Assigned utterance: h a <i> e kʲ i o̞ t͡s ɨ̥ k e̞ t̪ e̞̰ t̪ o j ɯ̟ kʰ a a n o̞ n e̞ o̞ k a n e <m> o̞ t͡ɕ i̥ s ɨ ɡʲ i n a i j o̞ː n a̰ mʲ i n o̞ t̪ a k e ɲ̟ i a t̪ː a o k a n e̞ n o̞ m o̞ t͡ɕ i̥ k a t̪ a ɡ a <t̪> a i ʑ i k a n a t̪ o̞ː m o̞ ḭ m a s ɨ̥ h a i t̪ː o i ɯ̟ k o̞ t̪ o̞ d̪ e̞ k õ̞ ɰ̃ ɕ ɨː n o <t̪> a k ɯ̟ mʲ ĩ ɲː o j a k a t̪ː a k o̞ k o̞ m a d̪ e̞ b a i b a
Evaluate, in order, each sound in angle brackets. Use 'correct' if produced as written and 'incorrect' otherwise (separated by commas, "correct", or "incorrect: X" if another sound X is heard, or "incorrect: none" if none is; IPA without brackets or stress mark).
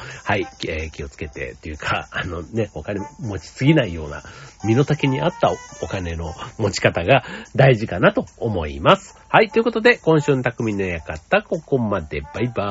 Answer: correct, correct, incorrect: d̪, correct